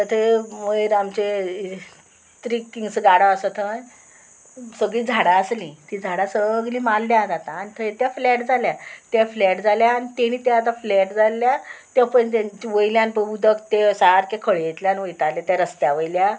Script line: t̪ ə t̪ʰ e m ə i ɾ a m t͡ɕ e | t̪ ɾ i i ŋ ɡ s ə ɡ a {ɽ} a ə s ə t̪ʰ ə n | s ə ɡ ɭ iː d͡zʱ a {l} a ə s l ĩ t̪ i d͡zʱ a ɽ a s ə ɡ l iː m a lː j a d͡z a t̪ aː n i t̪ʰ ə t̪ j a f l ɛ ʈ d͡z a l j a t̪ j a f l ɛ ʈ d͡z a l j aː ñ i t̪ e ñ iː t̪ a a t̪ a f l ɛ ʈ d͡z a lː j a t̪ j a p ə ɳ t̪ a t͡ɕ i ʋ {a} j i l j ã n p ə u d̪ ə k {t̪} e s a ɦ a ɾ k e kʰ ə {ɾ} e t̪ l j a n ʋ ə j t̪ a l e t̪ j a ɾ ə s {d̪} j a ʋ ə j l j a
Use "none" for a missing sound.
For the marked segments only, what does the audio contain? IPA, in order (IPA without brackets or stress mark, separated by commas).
ɽ, ɽ, ə, t̪, ɭ, t̪